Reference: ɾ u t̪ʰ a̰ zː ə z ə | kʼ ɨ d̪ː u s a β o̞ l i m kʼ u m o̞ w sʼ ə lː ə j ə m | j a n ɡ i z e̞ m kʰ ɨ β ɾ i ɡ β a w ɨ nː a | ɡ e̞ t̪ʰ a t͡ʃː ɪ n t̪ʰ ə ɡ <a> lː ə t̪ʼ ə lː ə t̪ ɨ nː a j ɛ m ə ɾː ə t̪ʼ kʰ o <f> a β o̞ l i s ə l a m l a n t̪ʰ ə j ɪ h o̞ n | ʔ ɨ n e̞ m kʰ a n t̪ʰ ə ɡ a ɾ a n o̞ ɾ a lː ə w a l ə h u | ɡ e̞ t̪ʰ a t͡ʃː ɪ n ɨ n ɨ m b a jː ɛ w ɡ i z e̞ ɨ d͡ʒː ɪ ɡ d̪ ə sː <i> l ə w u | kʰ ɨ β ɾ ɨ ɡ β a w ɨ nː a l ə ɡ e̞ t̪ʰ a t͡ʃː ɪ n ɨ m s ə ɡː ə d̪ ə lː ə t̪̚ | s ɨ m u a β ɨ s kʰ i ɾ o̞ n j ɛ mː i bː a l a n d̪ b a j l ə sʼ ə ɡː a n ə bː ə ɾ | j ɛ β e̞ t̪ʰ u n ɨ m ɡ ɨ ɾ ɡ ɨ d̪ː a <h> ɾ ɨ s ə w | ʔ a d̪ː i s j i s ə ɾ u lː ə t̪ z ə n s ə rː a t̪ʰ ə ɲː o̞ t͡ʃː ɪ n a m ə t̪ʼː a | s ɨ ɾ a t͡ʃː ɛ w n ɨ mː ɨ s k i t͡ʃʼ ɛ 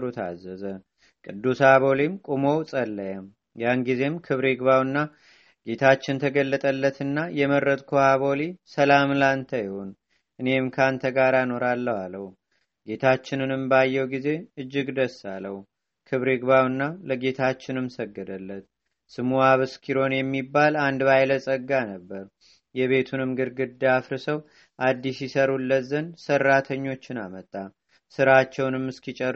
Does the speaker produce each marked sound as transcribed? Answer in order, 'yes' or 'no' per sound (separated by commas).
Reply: no, no, no, no